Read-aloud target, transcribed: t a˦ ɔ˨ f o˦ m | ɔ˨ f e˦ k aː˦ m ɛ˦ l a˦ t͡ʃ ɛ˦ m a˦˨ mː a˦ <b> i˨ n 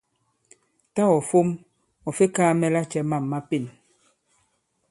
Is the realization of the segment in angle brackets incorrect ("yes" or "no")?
yes